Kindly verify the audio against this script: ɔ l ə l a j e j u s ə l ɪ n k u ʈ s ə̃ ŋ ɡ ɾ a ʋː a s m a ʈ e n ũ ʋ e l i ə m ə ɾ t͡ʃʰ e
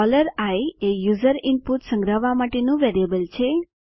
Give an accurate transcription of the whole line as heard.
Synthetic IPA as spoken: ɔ l ə ɾ a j e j u z ə ɾ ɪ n p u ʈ s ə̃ ŋ ɡ ɾ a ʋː a m a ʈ e n ũ ʋ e ɾ i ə b ə l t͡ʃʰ e